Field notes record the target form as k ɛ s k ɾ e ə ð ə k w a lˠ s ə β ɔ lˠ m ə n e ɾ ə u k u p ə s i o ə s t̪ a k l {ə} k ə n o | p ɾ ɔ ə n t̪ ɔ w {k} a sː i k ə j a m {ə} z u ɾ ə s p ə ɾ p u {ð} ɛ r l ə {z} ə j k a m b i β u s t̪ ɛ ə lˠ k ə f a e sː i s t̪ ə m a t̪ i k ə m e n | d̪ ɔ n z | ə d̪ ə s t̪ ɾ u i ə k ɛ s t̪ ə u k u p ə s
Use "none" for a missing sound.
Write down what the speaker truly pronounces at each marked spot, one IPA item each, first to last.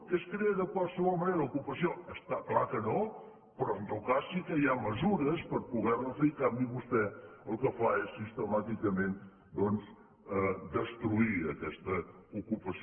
a, k, ə, ɣ, z

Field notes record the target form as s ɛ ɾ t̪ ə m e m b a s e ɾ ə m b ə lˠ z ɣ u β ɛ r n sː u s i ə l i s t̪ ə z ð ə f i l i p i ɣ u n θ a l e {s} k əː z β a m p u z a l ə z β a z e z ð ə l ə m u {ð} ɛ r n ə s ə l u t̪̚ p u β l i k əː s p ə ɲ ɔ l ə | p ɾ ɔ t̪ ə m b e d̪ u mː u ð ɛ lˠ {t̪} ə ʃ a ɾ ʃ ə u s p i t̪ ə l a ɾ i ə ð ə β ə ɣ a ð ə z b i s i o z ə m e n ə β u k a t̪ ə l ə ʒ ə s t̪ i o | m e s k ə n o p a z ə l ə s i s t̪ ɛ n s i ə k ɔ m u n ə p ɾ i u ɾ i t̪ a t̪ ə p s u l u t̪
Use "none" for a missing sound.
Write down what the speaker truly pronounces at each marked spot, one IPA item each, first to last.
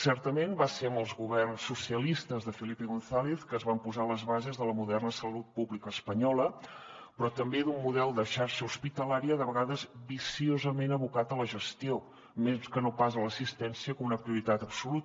θ, ð, d̪

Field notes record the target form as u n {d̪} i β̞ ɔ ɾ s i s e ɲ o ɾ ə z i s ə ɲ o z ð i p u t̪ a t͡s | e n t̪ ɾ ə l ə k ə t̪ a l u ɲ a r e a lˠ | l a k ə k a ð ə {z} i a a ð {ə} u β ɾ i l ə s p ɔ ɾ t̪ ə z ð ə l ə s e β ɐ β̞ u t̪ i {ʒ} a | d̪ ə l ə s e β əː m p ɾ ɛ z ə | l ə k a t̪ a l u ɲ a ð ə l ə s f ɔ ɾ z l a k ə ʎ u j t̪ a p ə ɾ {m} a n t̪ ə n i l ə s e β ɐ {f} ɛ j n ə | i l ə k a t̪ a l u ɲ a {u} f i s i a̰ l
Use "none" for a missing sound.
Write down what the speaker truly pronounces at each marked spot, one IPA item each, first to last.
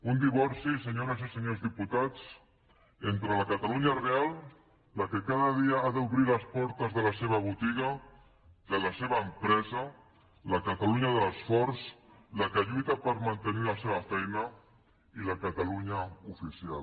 d̪, ð, ə, ɣ, m, f, u

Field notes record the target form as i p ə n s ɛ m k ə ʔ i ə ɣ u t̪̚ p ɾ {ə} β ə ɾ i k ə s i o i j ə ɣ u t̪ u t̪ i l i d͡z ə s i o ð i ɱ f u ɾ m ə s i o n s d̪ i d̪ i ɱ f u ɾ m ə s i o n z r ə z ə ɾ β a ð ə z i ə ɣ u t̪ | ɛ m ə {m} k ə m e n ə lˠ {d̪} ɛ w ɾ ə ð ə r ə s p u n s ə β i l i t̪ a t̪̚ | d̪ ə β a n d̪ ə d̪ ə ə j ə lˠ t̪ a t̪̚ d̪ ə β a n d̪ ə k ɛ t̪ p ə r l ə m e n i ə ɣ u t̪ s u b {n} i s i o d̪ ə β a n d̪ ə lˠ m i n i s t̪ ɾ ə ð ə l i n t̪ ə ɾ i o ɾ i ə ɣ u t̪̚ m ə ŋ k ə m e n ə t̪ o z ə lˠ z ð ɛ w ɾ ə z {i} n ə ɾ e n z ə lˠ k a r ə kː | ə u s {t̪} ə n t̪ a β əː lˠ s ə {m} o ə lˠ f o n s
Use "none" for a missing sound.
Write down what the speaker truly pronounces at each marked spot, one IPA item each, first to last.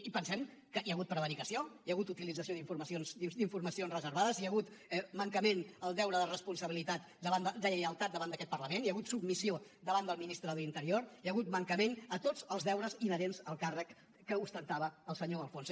ə, ŋ, d̪, m, i, t̪, ɲ

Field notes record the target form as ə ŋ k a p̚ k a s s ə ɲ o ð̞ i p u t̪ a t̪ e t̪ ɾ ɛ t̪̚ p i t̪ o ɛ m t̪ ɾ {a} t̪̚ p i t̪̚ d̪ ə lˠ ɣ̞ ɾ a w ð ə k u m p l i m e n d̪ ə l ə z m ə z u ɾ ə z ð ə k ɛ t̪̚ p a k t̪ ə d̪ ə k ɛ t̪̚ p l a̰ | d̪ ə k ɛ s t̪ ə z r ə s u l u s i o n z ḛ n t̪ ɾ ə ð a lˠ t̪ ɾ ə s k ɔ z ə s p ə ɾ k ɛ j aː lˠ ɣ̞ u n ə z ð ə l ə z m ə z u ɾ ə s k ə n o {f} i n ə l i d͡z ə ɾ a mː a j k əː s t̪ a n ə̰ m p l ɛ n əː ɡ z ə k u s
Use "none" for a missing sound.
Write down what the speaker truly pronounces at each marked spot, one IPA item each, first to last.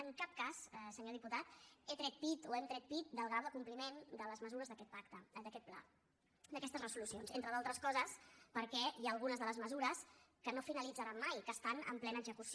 ɛ, f

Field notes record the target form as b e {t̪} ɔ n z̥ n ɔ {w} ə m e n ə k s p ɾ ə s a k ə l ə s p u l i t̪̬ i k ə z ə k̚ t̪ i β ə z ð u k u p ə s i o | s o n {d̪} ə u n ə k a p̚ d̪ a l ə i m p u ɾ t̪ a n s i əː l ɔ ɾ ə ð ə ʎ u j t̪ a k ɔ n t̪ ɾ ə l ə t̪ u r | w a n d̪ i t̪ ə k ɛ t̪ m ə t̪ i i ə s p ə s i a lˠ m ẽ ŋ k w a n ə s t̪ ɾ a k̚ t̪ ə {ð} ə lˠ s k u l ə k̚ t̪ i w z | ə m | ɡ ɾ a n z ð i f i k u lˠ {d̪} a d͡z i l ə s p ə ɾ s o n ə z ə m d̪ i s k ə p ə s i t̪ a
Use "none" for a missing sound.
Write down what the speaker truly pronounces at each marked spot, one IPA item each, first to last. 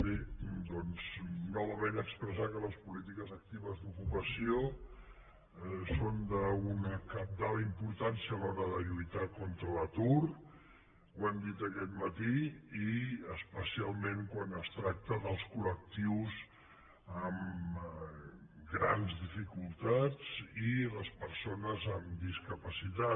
d̪, β, d̪, ð, t̪

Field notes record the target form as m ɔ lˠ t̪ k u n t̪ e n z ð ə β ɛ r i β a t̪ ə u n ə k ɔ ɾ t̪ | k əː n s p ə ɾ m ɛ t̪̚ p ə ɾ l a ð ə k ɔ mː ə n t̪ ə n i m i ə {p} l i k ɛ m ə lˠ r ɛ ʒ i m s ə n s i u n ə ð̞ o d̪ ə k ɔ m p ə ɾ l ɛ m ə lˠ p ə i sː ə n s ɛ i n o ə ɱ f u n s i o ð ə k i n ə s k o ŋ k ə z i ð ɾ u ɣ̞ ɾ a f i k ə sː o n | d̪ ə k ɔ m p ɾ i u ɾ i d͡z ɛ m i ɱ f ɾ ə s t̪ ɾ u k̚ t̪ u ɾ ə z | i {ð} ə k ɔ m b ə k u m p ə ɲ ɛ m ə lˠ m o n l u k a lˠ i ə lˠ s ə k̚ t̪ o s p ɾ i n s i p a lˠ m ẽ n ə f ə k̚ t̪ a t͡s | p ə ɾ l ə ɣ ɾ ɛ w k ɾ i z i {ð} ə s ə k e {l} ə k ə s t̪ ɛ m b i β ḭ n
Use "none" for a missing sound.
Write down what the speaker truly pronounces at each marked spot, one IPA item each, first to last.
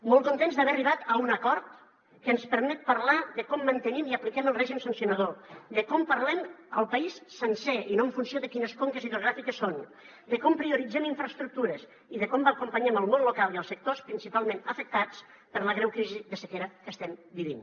p, ð, ð, ɾ

